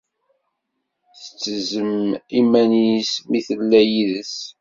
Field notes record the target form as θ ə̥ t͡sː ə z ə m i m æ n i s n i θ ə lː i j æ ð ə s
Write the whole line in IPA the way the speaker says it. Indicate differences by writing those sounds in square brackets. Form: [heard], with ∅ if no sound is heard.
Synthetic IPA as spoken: θ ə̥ t͡sː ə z ə m i m æ n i s [m] i θ ə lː [æ] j [i] ð ə s